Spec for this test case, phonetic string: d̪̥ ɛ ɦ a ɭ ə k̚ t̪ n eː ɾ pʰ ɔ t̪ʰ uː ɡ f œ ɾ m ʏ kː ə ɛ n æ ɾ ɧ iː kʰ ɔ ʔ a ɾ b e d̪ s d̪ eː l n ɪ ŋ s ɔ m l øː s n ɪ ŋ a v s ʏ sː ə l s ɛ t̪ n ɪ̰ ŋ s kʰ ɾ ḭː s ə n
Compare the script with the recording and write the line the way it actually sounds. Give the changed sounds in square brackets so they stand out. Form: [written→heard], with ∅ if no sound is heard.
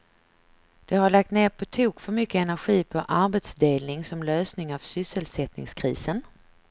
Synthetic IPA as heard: d̪̥ ɛ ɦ a ɭ [ə→a] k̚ t̪ n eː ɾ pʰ ɔ t̪ʰ uː [ɡ→k] f œ ɾ m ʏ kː ə ɛ n æ ɾ ɧ iː [kʰ→pʰ] ɔ ʔ a ɾ b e [d̪→t̪] s d̪ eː l n ɪ ŋ s ɔ m l øː s n ɪ ŋ a v s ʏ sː ə l s ɛ t̪ n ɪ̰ ŋ s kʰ ɾ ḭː s ə n